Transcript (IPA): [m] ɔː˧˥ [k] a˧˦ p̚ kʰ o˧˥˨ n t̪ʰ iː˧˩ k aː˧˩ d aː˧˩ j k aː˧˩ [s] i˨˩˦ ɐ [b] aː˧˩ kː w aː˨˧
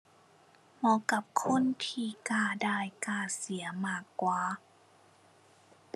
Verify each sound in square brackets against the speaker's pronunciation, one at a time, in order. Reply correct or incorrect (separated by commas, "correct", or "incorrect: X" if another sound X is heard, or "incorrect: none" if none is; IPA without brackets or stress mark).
correct, correct, correct, incorrect: m